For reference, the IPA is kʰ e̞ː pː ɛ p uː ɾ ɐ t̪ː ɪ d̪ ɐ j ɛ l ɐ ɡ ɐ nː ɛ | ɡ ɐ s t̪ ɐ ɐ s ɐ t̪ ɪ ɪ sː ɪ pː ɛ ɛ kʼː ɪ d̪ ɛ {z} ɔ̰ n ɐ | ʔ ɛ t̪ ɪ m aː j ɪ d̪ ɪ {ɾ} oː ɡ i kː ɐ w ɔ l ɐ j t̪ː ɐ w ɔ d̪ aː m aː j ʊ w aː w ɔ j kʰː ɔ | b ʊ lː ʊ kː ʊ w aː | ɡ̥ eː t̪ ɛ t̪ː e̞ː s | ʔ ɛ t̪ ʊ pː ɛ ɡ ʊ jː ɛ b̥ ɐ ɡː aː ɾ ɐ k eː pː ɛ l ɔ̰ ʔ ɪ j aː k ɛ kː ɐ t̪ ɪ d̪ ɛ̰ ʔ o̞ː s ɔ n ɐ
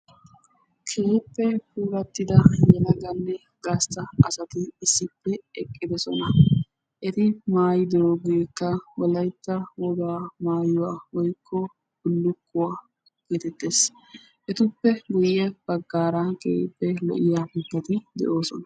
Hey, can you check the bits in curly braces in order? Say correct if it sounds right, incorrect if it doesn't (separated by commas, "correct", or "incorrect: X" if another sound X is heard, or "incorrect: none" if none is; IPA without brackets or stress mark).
incorrect: s, correct